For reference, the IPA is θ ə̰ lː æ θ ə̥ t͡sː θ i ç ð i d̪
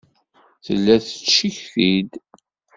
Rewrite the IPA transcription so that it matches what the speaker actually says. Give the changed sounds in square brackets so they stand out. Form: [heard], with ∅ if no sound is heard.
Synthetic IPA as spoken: θ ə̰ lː æ θ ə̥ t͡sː [ʃ] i ç [θ] i d̪